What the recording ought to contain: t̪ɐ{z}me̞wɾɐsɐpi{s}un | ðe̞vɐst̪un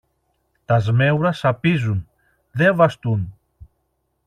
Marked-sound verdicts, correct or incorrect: correct, incorrect: z

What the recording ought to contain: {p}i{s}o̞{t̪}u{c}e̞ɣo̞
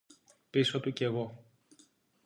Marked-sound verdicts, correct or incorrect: correct, correct, correct, correct

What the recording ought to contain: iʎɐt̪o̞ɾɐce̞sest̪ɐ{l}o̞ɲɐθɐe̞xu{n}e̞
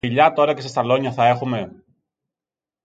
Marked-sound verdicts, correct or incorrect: correct, incorrect: m

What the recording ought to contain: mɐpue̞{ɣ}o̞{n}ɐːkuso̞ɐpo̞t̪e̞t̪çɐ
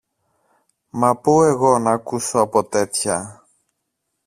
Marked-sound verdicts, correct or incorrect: correct, correct

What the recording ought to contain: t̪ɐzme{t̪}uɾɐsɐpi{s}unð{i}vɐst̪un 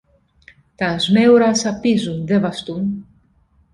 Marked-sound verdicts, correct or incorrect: incorrect: none, incorrect: z, incorrect: e

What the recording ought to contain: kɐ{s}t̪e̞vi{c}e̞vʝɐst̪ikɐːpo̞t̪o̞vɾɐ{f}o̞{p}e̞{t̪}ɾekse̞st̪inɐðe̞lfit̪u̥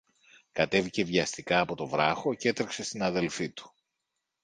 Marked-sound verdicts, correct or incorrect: incorrect: none, correct, incorrect: x, incorrect: c, correct

